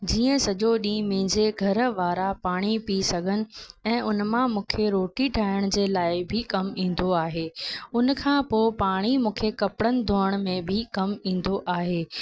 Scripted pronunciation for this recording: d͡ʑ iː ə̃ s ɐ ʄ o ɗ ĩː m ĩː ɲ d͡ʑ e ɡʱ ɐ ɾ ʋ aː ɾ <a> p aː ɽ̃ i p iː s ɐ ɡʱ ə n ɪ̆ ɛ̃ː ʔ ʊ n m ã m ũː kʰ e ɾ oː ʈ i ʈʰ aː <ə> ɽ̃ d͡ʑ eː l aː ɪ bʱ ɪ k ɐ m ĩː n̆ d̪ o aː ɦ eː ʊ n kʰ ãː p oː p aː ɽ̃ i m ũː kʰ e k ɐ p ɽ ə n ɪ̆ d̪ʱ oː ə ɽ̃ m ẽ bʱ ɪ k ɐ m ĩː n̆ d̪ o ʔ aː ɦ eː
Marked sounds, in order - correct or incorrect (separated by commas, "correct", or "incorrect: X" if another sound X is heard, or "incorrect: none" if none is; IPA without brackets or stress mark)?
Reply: correct, correct